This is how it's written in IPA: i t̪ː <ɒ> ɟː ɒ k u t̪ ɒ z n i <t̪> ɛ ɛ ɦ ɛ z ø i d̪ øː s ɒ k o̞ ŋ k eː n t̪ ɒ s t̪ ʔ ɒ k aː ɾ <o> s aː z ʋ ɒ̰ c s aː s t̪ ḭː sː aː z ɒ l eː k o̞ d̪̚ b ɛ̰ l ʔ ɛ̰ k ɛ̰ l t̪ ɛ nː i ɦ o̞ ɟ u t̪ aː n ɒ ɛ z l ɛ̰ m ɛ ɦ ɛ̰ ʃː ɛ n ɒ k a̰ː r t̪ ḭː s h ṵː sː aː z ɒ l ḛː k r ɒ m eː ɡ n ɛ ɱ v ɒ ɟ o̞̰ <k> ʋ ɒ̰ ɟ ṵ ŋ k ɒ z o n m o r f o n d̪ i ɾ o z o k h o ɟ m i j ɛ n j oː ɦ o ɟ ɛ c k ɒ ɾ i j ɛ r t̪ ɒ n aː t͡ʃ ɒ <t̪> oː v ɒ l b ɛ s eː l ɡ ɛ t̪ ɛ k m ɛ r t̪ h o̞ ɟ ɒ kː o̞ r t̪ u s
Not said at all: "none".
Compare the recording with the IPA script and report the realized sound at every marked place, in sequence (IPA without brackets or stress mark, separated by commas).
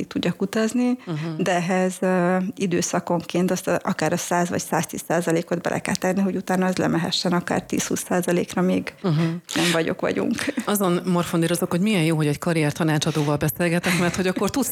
u, d̪, ɒ, k, d̪